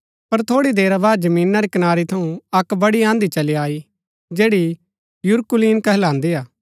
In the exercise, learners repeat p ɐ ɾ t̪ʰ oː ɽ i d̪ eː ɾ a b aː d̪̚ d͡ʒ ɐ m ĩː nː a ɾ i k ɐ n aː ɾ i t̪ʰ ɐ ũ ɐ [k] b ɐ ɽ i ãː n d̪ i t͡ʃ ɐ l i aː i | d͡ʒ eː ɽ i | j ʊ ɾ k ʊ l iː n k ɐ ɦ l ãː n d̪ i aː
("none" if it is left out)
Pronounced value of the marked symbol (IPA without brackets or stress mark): k